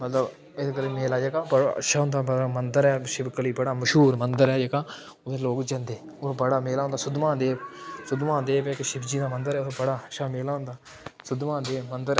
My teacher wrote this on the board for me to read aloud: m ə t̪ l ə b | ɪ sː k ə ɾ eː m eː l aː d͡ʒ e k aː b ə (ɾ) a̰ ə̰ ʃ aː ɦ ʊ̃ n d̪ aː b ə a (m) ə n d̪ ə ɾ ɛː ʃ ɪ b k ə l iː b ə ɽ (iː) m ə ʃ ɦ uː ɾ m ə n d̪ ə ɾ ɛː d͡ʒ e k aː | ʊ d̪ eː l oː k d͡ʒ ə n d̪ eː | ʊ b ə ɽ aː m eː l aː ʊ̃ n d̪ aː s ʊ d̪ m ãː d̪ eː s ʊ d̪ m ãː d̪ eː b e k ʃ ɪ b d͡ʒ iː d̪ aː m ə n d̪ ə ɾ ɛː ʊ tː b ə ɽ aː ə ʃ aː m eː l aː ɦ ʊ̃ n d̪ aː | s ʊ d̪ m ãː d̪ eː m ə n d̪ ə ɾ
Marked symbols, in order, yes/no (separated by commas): no, yes, no